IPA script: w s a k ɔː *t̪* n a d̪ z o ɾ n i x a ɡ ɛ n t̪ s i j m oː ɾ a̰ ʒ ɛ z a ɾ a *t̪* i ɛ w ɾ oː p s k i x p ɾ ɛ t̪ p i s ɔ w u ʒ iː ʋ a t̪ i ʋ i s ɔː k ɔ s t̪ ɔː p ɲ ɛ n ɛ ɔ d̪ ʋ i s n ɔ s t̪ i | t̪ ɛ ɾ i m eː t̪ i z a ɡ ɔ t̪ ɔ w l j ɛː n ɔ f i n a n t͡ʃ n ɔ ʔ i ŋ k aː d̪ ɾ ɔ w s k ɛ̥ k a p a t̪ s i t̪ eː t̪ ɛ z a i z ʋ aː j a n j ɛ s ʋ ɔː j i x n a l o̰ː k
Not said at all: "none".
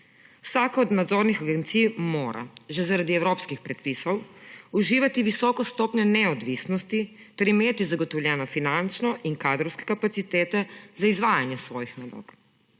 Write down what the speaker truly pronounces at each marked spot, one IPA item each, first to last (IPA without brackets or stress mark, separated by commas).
d̪, d̪